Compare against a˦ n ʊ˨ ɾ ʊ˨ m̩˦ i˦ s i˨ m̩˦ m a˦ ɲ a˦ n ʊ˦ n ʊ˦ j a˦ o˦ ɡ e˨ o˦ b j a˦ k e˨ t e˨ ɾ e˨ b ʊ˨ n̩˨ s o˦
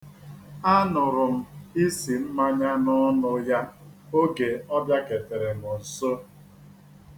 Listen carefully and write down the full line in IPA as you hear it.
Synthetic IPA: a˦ n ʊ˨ ɾ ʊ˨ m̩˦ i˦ s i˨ m̩˦ m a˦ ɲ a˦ n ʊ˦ n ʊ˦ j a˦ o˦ ɡ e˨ ɔ˦ b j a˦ k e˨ t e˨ ɾ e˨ m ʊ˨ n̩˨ s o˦